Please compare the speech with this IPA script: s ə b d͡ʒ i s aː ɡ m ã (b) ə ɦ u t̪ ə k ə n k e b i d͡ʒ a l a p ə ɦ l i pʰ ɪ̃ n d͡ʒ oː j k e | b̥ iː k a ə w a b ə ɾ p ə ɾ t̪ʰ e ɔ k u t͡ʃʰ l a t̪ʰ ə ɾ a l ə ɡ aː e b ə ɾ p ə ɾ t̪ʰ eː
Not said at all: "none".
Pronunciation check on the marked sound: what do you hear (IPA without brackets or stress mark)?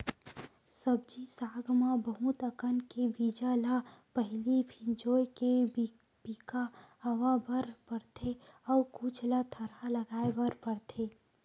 b